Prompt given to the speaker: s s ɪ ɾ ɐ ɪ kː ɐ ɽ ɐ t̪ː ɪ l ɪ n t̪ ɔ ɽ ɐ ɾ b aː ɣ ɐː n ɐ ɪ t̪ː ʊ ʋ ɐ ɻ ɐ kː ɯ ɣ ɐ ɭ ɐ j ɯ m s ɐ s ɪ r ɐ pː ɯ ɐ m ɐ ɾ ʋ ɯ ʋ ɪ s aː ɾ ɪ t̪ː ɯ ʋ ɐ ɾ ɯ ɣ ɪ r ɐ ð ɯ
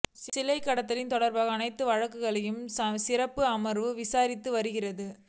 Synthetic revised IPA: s s ɪ l ɐ ɪ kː ɐ ɽ ɐ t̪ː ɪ l ɪ n t̪ ɔ ɽ ɐ ɾ b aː ɣ ɐː n ɐ ɪ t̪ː ɯ ʋ ɐ ɻ ɐ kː ɯ ɣ ɐ ɭ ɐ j ɯ m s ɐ s ɪ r ɐ pː ɯ ɐ m ɐ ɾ ʋ ɯ ʋ ɪ s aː ɾ ɪ t̪ː ɯ ʋ ɐ ɾ ɯ ɣ ɪ r ɐ ð ɯ